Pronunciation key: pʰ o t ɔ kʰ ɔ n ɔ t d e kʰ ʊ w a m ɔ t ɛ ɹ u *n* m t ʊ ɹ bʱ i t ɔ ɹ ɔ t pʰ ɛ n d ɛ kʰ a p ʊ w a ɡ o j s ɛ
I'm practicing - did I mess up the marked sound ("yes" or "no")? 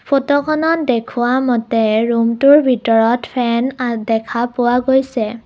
yes